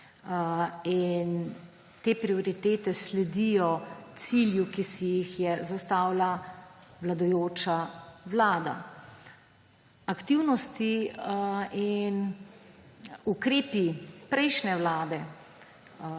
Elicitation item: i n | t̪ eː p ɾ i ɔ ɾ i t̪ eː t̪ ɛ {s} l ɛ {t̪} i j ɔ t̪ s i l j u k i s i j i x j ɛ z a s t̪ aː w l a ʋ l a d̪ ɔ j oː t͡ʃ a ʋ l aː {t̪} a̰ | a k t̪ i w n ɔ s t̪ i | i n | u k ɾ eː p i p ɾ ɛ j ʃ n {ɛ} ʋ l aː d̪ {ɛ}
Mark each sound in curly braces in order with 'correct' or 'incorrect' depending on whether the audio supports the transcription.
correct, incorrect: d̪, incorrect: d̪, correct, correct

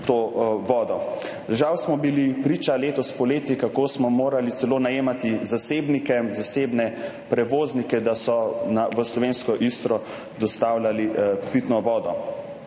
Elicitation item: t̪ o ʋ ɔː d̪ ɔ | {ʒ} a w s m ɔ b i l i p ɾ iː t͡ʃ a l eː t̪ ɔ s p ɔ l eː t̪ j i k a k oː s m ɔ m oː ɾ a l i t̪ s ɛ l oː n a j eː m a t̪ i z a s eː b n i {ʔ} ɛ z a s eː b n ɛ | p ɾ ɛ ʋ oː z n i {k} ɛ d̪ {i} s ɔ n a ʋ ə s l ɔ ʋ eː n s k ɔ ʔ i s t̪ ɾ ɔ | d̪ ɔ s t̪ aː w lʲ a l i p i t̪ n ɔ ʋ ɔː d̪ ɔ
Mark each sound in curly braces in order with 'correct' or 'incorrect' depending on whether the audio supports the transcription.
correct, incorrect: k, correct, incorrect: a

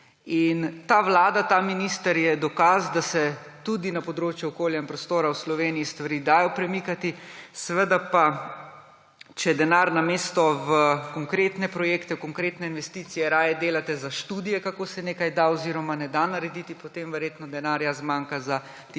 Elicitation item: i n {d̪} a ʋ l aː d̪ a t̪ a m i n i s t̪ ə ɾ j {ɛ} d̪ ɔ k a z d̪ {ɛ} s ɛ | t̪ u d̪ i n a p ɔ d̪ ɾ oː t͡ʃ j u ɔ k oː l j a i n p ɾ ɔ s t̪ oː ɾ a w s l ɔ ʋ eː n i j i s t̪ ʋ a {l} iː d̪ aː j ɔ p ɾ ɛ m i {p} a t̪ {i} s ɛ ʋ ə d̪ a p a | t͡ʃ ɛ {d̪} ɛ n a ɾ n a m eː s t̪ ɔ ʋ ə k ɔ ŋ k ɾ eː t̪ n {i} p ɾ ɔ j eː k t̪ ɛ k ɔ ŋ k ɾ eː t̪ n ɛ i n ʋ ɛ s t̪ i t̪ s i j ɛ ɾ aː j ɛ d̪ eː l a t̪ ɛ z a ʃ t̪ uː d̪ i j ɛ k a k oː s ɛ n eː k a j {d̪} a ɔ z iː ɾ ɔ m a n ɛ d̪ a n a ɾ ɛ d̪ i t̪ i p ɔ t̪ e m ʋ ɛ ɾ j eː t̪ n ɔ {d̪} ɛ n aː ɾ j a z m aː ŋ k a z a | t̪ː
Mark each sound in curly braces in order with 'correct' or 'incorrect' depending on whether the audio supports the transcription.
incorrect: t̪, correct, incorrect: a, incorrect: ɾ, incorrect: k, correct, correct, incorrect: ɛ, correct, correct

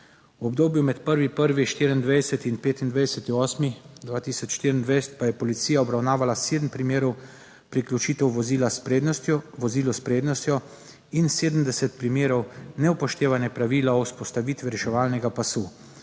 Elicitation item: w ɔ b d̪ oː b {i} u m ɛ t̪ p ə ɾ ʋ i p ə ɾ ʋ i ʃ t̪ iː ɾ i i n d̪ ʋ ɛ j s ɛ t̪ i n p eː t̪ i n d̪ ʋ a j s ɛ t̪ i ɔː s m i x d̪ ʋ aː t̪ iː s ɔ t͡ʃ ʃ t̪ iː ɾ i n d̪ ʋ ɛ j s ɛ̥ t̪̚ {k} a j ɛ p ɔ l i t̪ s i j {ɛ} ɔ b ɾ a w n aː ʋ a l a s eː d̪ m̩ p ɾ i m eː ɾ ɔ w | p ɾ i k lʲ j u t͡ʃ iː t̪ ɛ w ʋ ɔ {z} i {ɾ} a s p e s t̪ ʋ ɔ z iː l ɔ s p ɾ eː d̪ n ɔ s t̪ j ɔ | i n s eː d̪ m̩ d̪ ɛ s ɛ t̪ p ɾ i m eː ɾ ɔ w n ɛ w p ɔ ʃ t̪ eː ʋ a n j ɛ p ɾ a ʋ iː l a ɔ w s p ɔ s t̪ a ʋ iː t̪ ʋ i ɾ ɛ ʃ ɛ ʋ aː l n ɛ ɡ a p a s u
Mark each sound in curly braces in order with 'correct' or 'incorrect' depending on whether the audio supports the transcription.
incorrect: j, incorrect: p, incorrect: a, correct, incorrect: l

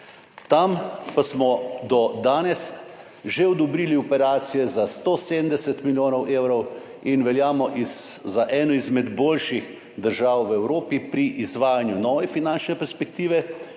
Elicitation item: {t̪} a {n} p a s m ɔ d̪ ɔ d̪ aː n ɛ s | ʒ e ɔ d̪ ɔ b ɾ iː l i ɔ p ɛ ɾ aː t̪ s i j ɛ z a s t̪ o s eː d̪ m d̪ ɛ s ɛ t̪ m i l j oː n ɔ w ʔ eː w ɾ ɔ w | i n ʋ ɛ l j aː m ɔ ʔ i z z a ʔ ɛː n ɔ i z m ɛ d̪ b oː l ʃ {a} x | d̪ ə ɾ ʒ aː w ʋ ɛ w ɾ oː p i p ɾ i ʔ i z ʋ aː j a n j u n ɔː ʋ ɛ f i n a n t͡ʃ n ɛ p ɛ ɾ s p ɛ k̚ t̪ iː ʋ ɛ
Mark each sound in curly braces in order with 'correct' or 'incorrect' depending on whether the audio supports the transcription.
correct, incorrect: m, incorrect: i

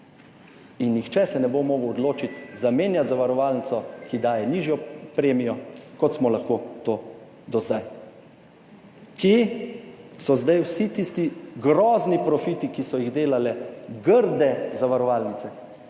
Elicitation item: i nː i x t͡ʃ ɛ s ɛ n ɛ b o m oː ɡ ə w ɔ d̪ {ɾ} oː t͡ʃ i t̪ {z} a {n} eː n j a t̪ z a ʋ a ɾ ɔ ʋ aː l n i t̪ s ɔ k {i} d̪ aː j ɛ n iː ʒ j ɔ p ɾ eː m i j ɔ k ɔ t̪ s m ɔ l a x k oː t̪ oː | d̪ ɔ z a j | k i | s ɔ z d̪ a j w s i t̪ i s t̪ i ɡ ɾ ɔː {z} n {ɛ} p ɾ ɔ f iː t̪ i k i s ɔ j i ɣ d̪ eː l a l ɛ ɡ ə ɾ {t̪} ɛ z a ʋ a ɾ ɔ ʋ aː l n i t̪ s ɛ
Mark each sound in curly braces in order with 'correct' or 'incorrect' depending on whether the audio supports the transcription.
incorrect: l, correct, incorrect: m, correct, correct, incorrect: i, incorrect: d̪

